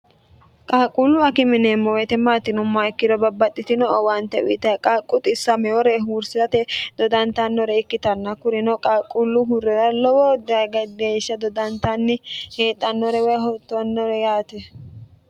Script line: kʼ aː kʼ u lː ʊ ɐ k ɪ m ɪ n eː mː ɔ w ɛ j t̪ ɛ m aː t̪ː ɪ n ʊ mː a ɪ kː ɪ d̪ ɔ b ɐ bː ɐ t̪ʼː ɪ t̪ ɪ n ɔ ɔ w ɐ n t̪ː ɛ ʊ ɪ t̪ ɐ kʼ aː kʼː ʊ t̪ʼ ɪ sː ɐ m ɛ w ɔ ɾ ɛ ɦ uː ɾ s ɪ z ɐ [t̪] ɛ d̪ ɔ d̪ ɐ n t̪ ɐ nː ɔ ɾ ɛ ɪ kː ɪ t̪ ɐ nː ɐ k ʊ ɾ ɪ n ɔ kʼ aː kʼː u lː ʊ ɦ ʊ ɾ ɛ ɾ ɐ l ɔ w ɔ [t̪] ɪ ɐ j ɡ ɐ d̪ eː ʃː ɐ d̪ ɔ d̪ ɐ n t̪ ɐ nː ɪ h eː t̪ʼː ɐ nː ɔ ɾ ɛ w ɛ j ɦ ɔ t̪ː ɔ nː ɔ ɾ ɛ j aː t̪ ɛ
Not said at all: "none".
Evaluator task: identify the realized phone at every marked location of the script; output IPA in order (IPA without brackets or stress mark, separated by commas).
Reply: t̪, d̪